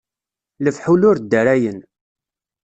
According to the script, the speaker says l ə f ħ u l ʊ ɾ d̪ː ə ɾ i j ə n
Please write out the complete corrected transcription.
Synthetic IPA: l ə f ħ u l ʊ ɾ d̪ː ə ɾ æ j ə n